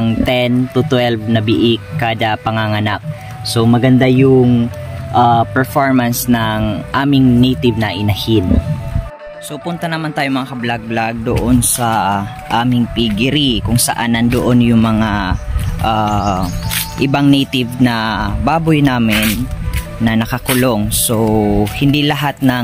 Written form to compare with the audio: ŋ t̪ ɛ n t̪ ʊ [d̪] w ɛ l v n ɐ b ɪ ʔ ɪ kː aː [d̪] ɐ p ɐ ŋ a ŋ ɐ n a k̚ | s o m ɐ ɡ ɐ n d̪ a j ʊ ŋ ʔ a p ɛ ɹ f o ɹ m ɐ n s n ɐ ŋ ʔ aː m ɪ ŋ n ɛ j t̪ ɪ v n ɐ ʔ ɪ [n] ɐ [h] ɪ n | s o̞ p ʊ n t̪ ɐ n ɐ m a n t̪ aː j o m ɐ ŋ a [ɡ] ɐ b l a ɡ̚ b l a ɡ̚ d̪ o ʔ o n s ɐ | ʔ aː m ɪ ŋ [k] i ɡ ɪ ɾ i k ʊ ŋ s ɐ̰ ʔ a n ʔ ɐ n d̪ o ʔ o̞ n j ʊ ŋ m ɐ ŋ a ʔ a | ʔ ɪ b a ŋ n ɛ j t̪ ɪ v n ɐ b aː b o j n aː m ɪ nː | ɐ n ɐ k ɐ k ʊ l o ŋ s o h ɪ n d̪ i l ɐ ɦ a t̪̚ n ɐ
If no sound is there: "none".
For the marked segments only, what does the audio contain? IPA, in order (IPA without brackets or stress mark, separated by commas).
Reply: t̪, d̪, n, h, k, p